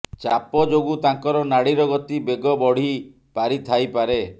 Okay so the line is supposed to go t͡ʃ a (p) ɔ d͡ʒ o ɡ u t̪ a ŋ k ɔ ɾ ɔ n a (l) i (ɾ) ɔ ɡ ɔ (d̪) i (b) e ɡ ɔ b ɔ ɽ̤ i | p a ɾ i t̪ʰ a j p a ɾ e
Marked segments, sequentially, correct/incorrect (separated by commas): correct, incorrect, correct, incorrect, correct